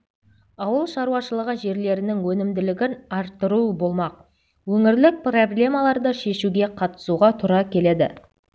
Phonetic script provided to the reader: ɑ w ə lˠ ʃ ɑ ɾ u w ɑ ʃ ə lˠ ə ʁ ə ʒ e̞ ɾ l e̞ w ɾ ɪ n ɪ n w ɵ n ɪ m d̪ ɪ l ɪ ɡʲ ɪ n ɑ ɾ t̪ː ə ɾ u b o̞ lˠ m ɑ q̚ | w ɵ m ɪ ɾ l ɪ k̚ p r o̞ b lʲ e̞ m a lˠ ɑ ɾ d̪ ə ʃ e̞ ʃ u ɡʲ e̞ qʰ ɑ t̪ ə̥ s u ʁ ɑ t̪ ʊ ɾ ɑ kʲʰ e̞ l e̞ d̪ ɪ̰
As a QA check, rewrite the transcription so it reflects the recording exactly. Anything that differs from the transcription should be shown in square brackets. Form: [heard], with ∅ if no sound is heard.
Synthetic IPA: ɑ w ə lˠ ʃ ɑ ɾ u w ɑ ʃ ə lˠ ə ʁ ə ʒ e̞ ɾ l e̞ [∅] ɾ ɪ n ɪ [ŋ] w ɵ n ɪ m d̪ ɪ l ɪ ɡʲ ɪ n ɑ ɾ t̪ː ə ɾ u b o̞ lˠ m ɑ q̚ | w ɵ [ŋ] ɪ ɾ l ɪ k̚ p r o̞ b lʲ e̞ m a lˠ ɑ ɾ d̪ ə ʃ e̞ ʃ u ɡʲ e̞ qʰ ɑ t̪ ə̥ s u ʁ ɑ [t̪ʰ] ʊ ɾ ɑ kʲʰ e̞ l e̞ d̪ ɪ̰